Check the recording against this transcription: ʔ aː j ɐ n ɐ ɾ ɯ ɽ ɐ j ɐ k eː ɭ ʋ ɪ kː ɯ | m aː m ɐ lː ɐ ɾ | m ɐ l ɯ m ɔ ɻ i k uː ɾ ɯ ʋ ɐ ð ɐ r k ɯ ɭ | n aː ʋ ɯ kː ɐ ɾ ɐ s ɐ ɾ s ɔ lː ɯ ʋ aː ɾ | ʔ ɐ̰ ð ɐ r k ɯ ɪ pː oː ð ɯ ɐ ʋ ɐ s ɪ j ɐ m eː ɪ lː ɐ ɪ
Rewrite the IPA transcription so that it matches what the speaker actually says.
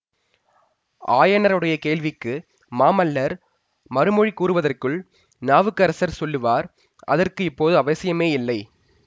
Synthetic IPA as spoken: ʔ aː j ɐ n ɐ ɾ ɯ ɽ ɐ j ɐ k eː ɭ ʋ ɪ kː ɯ | m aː m ɐ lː ɐ ɾ | m ɐ ɾ ɯ m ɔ ɻ i k uː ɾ ɯ ʋ ɐ ð ɐ r k ɯ ɭ | n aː ʋ ɯ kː ɐ ɾ ɐ s ɐ ɾ s ɔ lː ɯ ʋ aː ɾ | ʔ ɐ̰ ð ɐ r k ɯ ɪ pː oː ð ɯ ɐ ʋ ɐ s ɪ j ɐ m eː ɪ lː ɐ ɪ